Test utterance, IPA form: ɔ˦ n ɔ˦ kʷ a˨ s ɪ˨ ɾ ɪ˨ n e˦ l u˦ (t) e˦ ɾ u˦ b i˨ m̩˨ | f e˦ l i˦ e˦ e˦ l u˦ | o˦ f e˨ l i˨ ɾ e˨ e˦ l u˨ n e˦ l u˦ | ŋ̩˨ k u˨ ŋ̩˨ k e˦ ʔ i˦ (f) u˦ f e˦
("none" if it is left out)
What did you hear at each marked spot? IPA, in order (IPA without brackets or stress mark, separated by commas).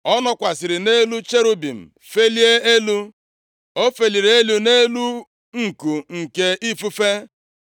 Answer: t͡ʃ, f